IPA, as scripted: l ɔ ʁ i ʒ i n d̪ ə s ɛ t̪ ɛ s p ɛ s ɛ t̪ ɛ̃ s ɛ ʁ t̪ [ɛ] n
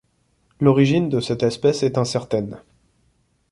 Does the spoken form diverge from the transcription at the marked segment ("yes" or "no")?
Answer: no